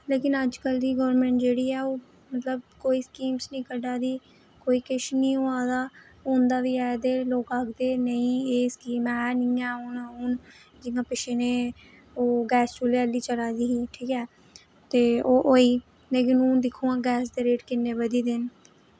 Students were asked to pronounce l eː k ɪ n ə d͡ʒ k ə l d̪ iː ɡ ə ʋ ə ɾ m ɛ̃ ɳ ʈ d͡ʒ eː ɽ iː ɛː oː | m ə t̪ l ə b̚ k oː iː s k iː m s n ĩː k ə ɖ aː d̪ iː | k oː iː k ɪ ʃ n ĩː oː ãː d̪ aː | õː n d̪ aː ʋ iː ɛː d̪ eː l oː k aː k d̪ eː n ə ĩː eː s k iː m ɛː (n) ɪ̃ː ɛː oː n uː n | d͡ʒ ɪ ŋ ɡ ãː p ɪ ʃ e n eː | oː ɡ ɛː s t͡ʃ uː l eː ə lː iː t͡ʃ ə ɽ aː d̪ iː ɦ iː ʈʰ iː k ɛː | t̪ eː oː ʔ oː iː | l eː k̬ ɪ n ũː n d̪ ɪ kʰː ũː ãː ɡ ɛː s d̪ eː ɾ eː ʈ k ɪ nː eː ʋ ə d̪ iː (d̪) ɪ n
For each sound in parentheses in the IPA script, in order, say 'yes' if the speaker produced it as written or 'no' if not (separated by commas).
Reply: yes, yes